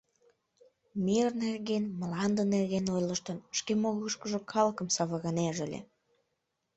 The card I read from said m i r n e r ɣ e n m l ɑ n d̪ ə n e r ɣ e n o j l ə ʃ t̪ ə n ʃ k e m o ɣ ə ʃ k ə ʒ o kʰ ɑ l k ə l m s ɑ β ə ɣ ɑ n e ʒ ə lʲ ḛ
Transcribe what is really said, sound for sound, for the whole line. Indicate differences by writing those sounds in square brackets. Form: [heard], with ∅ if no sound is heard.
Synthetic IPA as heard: m i r n e r ɣ e n m l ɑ n d̪ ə n e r ɣ e n o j l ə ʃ t̪ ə n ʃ k e m o ɣ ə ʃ k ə ʒ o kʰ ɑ l k ə [∅] m s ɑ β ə ɣ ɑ n e ʒ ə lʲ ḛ